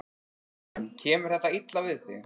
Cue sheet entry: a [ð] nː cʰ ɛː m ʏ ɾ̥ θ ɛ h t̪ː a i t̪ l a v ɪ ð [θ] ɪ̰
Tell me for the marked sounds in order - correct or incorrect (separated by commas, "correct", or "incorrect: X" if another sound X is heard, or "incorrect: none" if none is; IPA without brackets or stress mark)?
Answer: incorrect: none, correct